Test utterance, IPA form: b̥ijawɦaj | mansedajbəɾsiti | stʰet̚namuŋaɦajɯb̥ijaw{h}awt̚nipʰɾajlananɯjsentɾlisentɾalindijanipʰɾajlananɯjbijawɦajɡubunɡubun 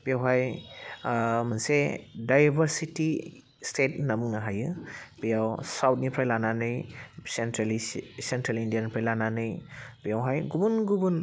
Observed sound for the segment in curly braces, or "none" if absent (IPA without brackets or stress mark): s